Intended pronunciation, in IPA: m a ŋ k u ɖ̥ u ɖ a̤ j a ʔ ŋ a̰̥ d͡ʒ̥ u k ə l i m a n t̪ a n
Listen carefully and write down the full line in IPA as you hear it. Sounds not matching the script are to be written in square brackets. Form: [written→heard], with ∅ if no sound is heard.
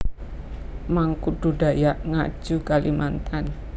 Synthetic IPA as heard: m a ŋ k u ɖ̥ u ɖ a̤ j a ʔ ŋ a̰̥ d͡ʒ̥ u k [ə→a] l i m a n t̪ a n